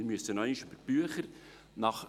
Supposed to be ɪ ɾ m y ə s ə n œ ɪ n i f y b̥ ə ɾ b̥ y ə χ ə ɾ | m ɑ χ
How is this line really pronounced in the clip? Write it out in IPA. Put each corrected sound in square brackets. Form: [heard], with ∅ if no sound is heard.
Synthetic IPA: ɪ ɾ m y ə s ə n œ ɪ n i [ʃ] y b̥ ə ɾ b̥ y ə χ ə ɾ | [n] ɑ χ